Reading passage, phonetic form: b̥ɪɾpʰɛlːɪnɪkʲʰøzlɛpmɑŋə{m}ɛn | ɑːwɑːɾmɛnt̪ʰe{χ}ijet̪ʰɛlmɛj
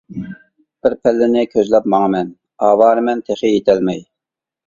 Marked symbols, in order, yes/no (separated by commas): yes, yes